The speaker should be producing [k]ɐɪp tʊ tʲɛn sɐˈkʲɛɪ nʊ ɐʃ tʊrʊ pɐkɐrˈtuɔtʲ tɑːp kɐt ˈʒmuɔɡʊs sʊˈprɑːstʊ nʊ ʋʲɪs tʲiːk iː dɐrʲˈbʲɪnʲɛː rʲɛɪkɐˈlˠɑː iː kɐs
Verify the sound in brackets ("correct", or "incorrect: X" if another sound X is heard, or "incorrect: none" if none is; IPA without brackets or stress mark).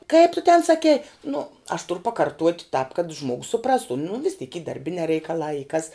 correct